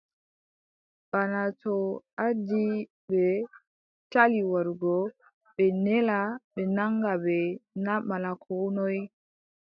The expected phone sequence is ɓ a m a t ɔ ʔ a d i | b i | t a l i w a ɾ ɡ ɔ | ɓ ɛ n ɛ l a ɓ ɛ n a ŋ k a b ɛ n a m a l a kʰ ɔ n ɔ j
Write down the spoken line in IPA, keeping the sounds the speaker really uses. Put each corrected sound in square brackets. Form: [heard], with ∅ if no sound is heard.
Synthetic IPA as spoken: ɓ a [n] a t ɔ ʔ a d i | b [ɛ] | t a l i w a ɾ ɡ ɔ | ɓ ɛ n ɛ l a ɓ ɛ n a ŋ [ɡ] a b ɛ n a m a l a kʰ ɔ n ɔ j